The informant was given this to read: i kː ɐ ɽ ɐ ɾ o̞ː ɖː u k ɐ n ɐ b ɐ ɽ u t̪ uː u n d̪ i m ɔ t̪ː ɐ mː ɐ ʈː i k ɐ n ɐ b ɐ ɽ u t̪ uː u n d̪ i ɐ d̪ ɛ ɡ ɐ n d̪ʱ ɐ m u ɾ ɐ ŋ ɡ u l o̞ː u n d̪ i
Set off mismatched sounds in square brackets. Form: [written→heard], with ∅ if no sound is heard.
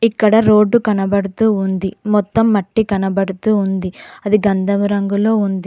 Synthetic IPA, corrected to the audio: i kː ɐ ɽ ɐ ɾ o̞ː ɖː u k ɐ n ɐ b ɐ ɽ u t̪ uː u n d̪ i m ɔ t̪ː ɐ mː ɐ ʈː i k ɐ n ɐ b ɐ ɽ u t̪ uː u n d̪ i ɐ d̪ [ɛ→i] ɡ ɐ n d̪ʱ ɐ m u ɾ ɐ ŋ ɡ u l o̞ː u n d̪ i